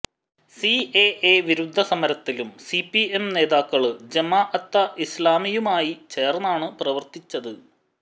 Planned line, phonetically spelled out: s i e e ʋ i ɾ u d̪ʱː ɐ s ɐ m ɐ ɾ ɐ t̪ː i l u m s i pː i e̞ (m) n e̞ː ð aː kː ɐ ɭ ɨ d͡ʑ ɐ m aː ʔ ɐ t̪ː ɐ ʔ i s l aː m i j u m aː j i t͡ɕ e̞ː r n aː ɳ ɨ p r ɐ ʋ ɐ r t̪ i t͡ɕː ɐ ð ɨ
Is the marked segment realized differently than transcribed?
no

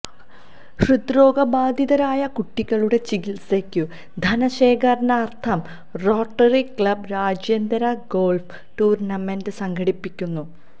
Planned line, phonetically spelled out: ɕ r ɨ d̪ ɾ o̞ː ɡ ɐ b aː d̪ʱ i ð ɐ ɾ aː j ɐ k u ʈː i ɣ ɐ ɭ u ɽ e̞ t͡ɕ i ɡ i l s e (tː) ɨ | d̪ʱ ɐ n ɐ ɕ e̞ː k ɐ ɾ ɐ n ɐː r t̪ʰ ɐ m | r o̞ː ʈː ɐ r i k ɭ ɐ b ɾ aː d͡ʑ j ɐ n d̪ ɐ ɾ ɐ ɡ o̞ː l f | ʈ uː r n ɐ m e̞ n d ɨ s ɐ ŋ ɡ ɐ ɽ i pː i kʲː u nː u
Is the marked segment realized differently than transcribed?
yes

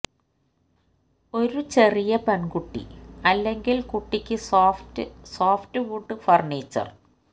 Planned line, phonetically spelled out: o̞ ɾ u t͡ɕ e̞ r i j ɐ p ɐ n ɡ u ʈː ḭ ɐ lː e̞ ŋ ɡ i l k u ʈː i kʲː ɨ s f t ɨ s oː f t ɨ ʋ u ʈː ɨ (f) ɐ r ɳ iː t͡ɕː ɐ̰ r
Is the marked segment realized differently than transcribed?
no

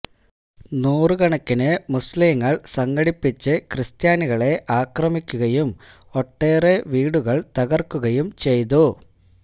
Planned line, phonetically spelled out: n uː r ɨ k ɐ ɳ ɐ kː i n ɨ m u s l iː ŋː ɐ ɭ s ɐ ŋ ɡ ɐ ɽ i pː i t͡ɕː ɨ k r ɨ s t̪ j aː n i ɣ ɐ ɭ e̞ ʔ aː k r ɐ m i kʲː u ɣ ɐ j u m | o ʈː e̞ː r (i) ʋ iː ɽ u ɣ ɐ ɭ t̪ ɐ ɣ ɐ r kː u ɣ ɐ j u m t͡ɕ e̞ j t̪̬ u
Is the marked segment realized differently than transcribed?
yes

